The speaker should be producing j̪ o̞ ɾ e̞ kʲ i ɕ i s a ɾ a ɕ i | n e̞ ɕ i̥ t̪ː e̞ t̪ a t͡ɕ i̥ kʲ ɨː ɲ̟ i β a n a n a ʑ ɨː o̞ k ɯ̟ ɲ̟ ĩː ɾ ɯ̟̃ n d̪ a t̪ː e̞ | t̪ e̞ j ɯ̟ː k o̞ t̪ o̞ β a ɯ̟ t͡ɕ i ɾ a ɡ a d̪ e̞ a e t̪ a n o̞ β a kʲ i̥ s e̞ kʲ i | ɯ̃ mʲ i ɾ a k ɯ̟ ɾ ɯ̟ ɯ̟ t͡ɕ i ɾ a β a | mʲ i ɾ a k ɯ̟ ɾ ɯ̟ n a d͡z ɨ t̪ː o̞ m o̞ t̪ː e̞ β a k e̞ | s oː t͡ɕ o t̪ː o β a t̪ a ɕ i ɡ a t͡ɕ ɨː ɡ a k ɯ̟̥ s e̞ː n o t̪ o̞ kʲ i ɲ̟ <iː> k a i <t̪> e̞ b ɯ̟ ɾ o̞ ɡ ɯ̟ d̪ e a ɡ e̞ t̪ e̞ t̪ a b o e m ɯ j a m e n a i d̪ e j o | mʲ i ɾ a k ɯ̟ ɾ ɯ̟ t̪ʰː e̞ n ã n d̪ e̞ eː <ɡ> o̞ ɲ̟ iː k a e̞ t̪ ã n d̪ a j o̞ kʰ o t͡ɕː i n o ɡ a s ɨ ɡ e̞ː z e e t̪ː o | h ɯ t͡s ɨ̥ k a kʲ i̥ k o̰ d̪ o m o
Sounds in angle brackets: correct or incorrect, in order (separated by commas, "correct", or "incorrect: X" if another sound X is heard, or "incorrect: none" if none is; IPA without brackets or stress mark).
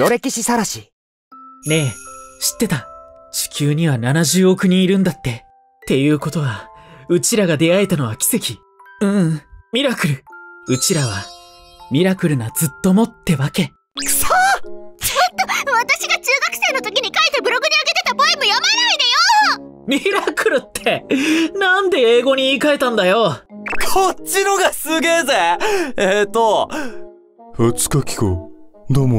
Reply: incorrect: i, correct, correct